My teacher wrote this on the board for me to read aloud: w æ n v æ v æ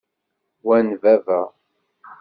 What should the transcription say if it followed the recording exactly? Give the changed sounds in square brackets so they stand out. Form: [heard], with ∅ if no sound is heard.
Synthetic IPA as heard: w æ n v æ v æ